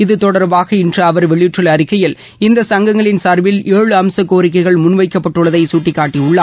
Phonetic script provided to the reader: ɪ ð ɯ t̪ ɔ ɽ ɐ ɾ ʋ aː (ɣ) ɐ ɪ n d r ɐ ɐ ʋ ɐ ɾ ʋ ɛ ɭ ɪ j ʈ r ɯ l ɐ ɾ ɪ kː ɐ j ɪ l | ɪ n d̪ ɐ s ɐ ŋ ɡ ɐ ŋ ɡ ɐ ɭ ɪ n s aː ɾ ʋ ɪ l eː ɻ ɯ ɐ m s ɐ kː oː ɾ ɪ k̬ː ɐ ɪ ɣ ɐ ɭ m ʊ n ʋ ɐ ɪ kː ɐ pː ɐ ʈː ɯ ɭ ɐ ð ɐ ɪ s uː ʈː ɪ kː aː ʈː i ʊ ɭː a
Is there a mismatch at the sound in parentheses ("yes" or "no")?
no